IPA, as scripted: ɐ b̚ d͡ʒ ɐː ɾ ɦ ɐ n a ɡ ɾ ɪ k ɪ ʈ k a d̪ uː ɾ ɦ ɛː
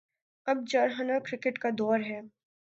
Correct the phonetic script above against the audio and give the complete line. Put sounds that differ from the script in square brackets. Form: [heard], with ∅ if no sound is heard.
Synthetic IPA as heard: ɐ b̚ d͡ʒ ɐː ɾ ɦ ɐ n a [k] ɾ ɪ k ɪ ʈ k a d̪ [ɔː] ɾ ɦ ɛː